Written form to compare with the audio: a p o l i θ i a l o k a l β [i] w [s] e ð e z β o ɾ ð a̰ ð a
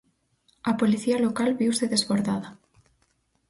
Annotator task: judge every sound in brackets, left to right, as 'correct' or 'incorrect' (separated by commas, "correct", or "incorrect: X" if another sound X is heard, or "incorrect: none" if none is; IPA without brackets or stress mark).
correct, correct